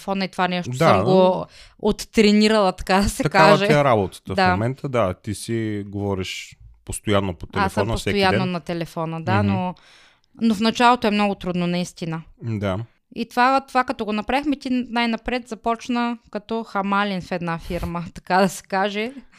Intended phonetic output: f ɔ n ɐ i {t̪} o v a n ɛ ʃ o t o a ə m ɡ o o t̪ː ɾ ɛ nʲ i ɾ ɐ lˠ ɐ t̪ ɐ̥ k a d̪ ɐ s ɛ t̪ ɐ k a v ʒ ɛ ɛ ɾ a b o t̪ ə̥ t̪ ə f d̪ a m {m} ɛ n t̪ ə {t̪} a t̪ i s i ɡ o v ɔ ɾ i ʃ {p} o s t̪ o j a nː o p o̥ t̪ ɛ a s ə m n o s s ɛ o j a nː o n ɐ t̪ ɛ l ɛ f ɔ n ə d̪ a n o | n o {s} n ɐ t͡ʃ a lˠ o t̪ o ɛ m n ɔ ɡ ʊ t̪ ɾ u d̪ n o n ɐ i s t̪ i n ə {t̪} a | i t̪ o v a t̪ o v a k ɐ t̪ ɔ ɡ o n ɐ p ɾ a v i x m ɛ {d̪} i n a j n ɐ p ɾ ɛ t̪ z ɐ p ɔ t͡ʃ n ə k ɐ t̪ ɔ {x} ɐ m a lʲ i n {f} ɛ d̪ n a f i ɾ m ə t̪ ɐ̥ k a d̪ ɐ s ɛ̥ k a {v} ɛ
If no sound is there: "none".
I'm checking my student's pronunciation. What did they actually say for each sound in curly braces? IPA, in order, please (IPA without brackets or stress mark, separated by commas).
t̪, m, d̪, p, f, d̪, t̪, x, f, ʒ